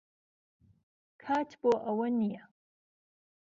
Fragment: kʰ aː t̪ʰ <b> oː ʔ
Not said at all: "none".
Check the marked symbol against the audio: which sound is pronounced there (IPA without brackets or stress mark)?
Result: b